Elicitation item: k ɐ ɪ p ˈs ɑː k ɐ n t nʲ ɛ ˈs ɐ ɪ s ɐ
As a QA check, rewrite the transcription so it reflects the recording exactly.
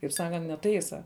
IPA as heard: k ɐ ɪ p ˈs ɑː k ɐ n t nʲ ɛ ˈt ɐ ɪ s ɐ